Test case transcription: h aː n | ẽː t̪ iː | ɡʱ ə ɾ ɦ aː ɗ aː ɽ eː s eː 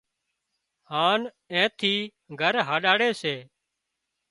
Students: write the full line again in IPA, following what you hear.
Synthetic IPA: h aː n | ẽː t̪ʰ iː | ɡʱ ə ɾ ɦ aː ɗ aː ɽ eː s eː